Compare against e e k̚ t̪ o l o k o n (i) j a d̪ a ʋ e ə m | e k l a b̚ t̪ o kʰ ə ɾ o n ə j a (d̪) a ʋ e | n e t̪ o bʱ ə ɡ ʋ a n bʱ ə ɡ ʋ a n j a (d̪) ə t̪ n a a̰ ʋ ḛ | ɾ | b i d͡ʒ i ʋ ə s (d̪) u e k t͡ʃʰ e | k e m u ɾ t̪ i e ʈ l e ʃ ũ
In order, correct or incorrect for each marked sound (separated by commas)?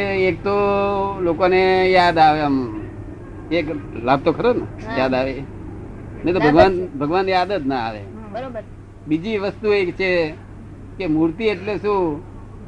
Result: incorrect, correct, correct, incorrect